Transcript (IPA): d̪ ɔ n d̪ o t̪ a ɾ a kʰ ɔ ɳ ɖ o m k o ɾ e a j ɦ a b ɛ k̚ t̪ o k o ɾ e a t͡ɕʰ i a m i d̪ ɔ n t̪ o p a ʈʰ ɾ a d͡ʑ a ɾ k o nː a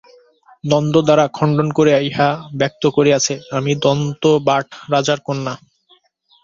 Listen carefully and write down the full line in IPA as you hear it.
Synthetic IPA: d̪ ɔ n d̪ o d̪ a ɾ a kʰ ɔ ɳ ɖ o n k o ɾ e a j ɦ a b ɛ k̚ t̪ o k o ɾ e a t͡ɕʰ e a m i d̪ ɔ n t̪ o b a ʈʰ ɾ a d͡ʑ a ɾ k o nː a